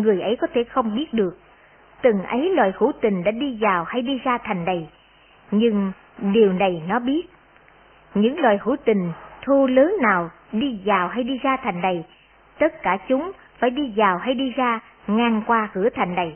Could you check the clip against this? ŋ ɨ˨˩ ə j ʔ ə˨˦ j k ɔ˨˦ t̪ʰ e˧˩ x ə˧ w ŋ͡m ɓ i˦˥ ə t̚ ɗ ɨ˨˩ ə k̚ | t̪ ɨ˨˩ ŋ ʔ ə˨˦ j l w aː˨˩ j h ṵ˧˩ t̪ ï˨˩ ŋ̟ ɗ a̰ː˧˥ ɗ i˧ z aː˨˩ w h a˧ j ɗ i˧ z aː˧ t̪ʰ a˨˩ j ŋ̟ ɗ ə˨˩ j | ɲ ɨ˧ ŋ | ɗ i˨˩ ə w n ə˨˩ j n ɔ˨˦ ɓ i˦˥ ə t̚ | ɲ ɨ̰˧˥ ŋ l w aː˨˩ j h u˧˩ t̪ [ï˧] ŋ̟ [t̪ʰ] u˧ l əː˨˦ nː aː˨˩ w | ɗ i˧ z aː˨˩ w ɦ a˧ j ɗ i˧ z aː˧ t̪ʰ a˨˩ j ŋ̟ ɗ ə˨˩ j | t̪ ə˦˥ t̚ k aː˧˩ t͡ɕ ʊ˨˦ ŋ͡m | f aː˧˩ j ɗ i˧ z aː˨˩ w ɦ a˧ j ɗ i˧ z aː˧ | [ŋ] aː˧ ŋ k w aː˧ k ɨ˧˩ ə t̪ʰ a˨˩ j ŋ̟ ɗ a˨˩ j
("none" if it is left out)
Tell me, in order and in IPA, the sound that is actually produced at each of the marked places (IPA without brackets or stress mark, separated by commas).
ï˨˩, t̪ʰ, ŋ